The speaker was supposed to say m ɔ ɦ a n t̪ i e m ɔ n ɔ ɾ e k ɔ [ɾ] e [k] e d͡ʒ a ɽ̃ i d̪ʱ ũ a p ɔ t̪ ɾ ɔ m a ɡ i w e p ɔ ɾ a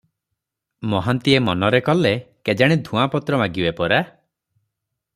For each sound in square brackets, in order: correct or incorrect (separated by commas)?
incorrect, correct